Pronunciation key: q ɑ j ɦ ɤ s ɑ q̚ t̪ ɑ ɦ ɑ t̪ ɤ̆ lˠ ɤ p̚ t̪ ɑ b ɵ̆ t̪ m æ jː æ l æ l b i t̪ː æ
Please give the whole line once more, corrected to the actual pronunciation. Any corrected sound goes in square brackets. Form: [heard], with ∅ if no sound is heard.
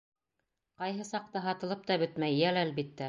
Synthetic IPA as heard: q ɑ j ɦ ɤ s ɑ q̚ t̪ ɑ ɦ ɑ t̪ ɤ̆ lˠ ɤ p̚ t̪ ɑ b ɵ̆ t̪ m æ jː æ l æ l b i t̪ː æ